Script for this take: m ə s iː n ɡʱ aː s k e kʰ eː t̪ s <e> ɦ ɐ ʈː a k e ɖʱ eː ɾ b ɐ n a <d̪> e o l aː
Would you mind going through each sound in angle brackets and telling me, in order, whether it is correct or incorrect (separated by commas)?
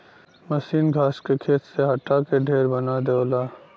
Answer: correct, correct